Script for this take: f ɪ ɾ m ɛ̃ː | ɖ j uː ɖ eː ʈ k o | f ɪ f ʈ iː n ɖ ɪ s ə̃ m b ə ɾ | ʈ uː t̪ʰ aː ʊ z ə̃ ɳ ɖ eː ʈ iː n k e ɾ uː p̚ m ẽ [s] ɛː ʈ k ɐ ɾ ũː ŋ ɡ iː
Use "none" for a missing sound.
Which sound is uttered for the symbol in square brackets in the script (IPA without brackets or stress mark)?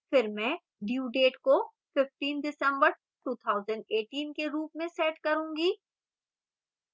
s